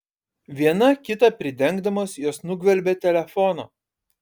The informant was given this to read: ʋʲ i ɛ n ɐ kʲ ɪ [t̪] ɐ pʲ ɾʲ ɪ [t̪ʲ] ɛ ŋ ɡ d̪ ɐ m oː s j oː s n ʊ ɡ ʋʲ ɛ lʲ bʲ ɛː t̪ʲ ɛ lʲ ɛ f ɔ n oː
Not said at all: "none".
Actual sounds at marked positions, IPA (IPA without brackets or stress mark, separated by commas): t̪, d̪ʲ